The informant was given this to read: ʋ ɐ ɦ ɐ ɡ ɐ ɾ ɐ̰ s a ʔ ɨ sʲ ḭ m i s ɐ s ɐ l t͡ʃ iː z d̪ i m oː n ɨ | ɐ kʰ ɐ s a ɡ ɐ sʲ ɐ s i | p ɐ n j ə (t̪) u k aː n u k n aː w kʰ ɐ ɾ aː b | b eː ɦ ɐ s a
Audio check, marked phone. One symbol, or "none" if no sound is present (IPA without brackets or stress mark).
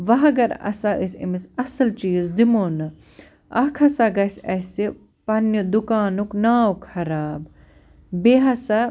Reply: d̪